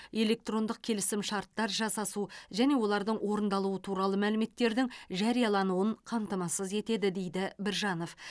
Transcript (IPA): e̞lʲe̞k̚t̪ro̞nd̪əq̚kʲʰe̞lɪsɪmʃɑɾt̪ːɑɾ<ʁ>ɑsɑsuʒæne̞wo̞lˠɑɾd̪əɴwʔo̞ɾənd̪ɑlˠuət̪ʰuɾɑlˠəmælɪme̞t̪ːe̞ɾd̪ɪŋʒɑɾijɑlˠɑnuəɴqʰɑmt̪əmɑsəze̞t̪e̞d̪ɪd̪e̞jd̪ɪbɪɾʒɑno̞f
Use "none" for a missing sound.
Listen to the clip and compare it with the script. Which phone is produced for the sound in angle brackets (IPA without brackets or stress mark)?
ʒ